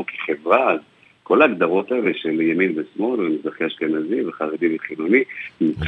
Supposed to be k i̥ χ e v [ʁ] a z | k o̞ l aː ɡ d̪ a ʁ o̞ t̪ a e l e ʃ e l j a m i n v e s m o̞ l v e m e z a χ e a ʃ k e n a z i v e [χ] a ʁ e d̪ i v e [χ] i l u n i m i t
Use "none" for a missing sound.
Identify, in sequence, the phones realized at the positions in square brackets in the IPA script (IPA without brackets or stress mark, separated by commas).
ʁ, χ, χ